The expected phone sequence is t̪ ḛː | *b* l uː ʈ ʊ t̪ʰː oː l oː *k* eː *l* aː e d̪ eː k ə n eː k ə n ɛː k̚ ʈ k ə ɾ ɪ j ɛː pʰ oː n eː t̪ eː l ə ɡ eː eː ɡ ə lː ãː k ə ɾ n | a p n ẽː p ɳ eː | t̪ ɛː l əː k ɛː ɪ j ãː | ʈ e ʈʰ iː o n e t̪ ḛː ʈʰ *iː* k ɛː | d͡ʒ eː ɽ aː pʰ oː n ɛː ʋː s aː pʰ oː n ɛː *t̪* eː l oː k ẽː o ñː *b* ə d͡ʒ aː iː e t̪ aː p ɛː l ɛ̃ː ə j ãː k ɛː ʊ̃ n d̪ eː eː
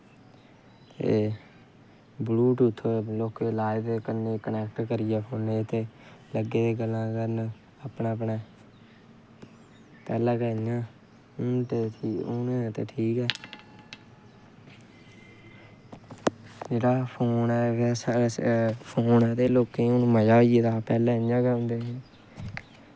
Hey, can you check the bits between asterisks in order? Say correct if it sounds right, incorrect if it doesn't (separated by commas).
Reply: correct, correct, correct, correct, correct, incorrect